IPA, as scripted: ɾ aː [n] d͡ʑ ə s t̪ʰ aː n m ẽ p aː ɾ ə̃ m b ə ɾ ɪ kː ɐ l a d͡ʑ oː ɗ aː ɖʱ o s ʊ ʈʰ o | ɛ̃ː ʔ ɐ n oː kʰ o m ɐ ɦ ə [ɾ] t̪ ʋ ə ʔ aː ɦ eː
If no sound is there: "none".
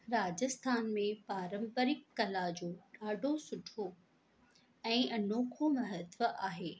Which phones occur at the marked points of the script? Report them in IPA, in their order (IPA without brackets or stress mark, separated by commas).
none, none